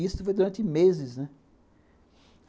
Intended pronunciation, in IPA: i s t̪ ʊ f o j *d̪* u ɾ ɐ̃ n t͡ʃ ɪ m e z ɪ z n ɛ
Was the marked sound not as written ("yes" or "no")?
no